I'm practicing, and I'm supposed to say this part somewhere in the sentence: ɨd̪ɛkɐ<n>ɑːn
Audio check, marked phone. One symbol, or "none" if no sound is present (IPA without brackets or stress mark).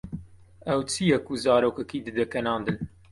n